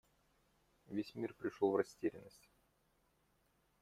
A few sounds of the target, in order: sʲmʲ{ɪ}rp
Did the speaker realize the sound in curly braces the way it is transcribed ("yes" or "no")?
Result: no